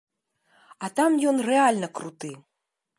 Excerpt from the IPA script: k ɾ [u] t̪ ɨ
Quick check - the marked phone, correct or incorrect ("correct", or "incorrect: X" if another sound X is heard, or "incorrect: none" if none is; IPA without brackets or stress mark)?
correct